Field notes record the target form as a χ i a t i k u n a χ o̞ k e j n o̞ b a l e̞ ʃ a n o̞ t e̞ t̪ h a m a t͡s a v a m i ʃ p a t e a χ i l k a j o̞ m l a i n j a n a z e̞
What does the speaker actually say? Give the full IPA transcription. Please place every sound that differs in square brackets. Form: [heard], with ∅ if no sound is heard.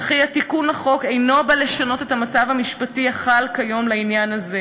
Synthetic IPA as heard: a χ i a t i k u n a χ o̞ k e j n o̞ b a l e̞ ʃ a n o̞ t e̞ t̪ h a m a t͡s a v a m i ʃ p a t [i] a χ [a] l k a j o̞ m l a i n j a n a z e̞